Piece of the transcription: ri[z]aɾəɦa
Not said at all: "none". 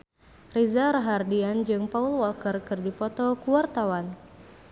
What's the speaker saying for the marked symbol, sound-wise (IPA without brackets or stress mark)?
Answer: z